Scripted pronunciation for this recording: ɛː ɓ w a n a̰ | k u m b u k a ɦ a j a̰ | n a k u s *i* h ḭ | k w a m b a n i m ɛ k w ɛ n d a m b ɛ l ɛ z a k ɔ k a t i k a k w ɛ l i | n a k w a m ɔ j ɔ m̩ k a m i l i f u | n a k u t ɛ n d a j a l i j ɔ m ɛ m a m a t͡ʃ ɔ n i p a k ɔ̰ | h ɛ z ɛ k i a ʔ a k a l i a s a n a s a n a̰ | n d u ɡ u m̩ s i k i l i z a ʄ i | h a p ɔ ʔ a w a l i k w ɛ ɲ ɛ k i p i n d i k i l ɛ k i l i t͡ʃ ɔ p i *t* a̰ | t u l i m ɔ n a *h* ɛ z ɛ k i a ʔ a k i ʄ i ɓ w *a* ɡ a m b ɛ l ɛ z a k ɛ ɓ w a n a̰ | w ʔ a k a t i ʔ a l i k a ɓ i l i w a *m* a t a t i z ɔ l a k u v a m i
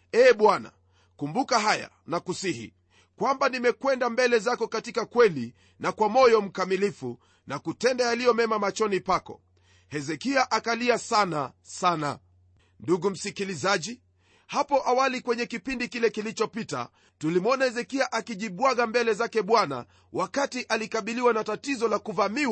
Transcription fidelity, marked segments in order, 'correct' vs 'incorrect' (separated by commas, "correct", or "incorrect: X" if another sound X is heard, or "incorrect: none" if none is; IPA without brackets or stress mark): correct, correct, correct, correct, incorrect: n